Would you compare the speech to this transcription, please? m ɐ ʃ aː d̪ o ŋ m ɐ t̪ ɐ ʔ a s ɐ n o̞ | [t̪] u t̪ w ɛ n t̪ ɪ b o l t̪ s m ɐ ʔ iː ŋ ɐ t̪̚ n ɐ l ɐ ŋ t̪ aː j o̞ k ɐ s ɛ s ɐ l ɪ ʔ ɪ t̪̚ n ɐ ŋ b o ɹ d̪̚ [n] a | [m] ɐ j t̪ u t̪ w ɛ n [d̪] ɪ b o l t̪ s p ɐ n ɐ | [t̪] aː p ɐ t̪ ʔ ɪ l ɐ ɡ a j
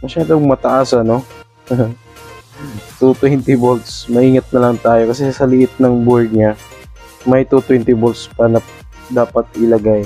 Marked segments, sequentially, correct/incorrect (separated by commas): correct, incorrect, correct, incorrect, incorrect